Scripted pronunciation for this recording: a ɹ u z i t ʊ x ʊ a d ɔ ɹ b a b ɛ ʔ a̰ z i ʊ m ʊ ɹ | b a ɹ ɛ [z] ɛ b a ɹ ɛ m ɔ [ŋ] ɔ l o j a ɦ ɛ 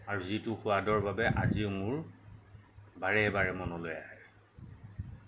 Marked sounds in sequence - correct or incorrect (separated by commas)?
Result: incorrect, incorrect